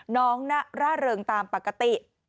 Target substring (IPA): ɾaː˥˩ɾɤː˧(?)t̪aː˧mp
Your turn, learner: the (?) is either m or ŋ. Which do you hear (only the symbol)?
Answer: ŋ